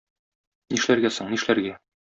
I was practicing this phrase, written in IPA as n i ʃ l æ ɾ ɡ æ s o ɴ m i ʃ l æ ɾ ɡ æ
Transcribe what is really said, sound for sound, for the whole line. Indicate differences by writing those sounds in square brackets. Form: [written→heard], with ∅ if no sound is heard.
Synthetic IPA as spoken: n i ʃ l æ ɾ ɡ æ s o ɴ [m→n] i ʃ l æ ɾ ɡ æ